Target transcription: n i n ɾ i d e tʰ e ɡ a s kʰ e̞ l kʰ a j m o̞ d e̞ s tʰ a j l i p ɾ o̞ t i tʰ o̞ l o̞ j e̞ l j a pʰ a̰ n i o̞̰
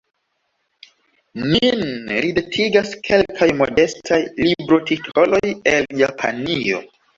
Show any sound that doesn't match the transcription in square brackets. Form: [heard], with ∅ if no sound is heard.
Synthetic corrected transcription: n i n ɾ i d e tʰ [i] ɡ a s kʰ e̞ l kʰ a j m o̞ d e̞ s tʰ a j l i [b] ɾ o̞ t i tʰ o̞ l o̞ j e̞ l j a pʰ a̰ n i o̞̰